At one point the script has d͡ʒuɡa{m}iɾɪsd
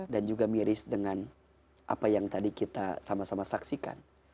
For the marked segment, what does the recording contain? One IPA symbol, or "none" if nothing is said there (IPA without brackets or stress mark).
m